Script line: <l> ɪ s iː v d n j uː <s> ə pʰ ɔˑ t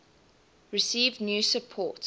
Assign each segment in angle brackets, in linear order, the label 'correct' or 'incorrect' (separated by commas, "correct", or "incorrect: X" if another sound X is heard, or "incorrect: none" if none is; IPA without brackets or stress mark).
incorrect: ɹ, correct